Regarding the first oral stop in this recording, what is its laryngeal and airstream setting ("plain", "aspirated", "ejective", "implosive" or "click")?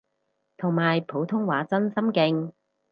aspirated